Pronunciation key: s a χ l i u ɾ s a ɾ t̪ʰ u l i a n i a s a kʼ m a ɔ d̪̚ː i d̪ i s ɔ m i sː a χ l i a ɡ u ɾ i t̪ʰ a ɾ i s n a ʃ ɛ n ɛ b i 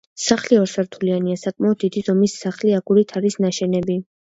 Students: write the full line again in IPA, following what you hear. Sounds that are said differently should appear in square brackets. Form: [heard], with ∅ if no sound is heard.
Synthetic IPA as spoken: s a χ l i [ɔ] ɾ s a ɾ t̪ʰ u l i a n i a s a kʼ m a ɔ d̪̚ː i d̪ i [z] ɔ m i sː a χ l i a ɡ u ɾ i t̪ʰ a ɾ i s n a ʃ ɛ n ɛ b i

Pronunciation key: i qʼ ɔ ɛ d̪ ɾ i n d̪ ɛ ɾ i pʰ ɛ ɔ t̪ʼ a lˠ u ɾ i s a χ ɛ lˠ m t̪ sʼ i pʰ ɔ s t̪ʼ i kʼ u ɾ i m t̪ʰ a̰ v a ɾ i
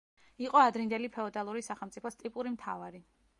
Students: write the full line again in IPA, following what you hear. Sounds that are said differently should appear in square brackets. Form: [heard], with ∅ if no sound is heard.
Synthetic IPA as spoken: i qʼ ɔ [a] d̪ ɾ i n d̪ ɛ [l] i pʰ ɛ ɔ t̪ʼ a lˠ u ɾ i s a χ ɛ lˠ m t̪ sʼ i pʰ ɔ s t̪ʼ i [pʼ] u ɾ i m t̪ʰ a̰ v a ɾ i

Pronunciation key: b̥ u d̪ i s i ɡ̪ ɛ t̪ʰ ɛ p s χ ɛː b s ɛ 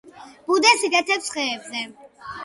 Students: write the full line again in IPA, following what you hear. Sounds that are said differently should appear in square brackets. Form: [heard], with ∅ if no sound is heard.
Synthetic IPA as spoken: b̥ u d̪ [ɛ] s i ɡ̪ ɛ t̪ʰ ɛ p s χ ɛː b [z] ɛ

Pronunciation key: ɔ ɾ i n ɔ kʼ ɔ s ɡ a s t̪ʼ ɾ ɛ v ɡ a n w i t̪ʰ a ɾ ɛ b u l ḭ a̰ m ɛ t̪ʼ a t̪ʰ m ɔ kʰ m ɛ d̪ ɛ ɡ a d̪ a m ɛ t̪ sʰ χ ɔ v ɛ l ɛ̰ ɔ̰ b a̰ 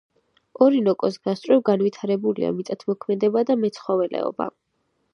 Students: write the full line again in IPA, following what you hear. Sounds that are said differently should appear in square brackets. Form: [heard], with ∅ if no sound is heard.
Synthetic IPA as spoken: ɔ ɾ i n ɔ kʼ ɔ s ɡ a s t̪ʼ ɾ ɛ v ɡ a n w i t̪ʰ a ɾ ɛ b u l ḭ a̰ m [i] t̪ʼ a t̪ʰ m ɔ kʰ m ɛ d̪ ɛ [b] a d̪ a m ɛ t̪ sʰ χ ɔ v ɛ l ɛ̰ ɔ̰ b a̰

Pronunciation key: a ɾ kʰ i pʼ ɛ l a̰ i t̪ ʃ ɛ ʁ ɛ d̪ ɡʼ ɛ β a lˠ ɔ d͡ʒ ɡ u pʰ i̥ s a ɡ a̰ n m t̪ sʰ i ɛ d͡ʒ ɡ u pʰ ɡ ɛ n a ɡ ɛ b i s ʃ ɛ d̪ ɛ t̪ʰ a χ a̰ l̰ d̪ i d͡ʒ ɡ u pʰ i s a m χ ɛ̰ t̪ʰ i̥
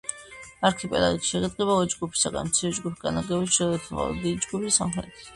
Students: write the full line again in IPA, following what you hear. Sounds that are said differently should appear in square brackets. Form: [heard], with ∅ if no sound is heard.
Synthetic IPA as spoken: a ɾ kʰ i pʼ ɛ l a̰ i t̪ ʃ ɛ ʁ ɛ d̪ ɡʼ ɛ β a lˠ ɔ d͡ʒ ɡ u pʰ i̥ s a ɡ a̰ n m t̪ sʰ i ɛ d͡ʒ ɡ u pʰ ɡ [a] n a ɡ ɛ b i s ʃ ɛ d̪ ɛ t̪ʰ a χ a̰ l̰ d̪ i d͡ʒ ɡ u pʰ i s a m χ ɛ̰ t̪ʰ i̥

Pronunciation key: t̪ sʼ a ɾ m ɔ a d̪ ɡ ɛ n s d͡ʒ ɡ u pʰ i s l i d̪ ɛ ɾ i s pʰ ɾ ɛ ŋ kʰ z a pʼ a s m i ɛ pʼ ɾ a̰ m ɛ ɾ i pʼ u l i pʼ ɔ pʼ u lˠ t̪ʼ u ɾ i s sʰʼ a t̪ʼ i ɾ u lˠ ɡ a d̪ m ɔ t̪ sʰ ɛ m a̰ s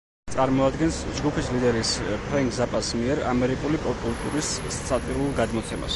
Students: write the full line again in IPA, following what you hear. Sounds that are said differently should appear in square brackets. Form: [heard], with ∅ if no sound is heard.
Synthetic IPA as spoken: t̪ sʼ a ɾ m ɔ a d̪ ɡ ɛ n s d͡ʒ ɡ u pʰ i s l i d̪ ɛ ɾ i s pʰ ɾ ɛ ŋ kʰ z a pʼ a s m i ɛ [∅] ɾ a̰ m ɛ ɾ i [kʼ] u l i pʼ ɔ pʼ u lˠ t̪ʼ u ɾ i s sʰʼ a t̪ʼ i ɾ u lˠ ɡ a d̪ m ɔ t̪ sʰ ɛ m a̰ s

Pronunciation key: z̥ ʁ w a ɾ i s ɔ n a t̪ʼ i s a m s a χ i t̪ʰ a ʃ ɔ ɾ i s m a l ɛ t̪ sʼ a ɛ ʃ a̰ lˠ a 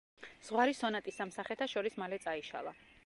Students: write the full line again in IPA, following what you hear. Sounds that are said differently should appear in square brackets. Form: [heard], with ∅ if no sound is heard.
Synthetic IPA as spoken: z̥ ʁ w a ɾ i s ɔ n a t̪ʼ i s a m s a χ [ɛ] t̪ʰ a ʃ ɔ ɾ i s m a l ɛ t̪ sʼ a [i] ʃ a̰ lˠ a

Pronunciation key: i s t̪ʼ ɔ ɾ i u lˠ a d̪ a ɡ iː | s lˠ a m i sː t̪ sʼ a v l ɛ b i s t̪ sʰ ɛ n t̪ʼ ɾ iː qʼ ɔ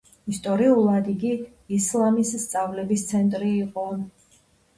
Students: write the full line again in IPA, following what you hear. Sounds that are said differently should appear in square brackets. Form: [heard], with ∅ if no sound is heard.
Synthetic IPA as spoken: i s t̪ʼ ɔ ɾ i u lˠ a d̪ [i] ɡ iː | s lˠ a m i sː t̪ sʼ a v l ɛ b i s t̪ sʰ ɛ n t̪ʼ ɾ iː qʼ ɔ

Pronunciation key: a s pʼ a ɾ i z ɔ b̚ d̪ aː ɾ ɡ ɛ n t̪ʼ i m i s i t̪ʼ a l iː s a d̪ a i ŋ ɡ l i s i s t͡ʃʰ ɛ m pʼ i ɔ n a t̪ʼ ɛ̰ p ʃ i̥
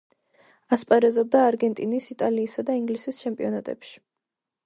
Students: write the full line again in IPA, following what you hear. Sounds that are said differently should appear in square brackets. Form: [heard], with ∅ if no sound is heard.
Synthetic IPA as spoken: a s pʼ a ɾ [ɛ] z ɔ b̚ d̪ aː ɾ ɡ ɛ n t̪ʼ i [n] i s i t̪ʼ a l iː s a d̪ a i ŋ ɡ l i s i s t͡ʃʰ ɛ m pʼ i ɔ n a t̪ʼ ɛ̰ p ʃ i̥

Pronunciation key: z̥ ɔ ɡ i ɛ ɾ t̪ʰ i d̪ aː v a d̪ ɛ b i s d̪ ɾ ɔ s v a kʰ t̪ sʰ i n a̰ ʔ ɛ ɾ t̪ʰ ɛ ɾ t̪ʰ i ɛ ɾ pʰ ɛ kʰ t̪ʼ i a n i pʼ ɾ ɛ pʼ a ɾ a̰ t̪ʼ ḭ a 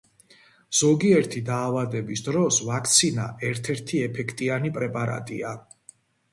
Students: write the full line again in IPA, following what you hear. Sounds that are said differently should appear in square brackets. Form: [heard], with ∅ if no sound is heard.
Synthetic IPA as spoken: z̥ ɔ ɡ i ɛ ɾ t̪ʰ i d̪ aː v a d̪ ɛ b i s d̪ ɾ ɔ s v a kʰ t̪ sʰ i n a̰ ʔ ɛ ɾ t̪ʰ ɛ ɾ t̪ʰ i ɛ [∅] pʰ ɛ kʰ t̪ʼ i a n i pʼ ɾ ɛ pʼ a ɾ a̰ t̪ʼ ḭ a

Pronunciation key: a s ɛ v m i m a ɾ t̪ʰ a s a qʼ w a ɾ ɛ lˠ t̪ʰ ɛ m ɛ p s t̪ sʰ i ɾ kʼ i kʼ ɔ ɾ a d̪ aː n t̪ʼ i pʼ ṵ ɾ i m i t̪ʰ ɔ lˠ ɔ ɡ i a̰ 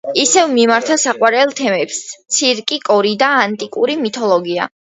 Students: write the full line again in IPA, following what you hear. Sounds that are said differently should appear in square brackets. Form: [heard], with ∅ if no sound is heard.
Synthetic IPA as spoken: [i] s ɛ v m i m a ɾ t̪ʰ a s a qʼ w a ɾ ɛ lˠ t̪ʰ ɛ m ɛ p s t̪ sʰ i ɾ kʼ i kʼ ɔ ɾ [i] d̪ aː n t̪ʼ i [kʼ] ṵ ɾ i m i t̪ʰ ɔ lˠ ɔ ɡ i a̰

